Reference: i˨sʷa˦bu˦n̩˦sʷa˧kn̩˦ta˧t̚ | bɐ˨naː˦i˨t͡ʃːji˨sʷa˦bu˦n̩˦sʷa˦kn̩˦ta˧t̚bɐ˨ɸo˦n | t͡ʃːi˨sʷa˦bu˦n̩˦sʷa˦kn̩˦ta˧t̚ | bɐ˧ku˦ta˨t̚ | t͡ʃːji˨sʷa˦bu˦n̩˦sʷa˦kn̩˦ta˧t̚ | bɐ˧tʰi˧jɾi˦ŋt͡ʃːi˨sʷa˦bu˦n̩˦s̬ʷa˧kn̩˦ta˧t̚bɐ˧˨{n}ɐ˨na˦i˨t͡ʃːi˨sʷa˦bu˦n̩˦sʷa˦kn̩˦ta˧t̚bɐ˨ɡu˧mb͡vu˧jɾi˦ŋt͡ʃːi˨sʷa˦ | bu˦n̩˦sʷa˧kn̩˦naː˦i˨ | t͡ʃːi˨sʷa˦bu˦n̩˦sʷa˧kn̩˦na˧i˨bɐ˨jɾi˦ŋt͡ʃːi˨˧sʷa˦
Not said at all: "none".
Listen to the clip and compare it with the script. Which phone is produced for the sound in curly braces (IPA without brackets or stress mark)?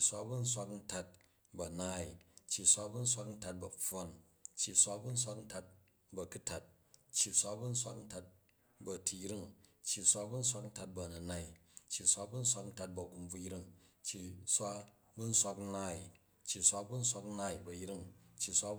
n